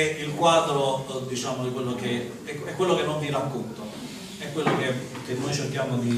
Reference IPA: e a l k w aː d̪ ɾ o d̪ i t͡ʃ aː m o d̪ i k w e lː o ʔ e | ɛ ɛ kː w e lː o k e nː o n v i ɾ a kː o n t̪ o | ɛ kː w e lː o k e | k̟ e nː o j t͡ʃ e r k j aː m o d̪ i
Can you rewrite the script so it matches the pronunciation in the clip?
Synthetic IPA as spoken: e i l k w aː d̪ ɾ o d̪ i t͡ʃ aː m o d̪ i k w e lː o k e | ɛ ɛ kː w e lː o k e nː o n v i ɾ a kː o n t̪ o | ɛ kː w e lː o k e | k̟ e nː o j t͡ʃ e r k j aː m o d̪ i